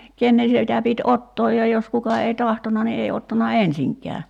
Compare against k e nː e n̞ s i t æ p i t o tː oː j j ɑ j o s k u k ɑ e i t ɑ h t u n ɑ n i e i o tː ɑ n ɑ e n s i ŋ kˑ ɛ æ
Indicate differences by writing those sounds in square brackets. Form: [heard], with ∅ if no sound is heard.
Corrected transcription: k e nː e n̞ s i t æ p i t o tː oː j j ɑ j o s k u k ɑ e i t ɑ h t [o] n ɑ n i e i o tː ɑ n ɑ e n s i ŋ kˑ ɛ æ